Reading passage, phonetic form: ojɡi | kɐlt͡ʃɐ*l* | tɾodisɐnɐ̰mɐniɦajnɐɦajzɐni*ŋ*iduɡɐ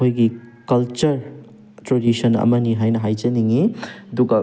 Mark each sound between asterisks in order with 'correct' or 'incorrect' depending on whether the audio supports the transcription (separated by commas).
incorrect, correct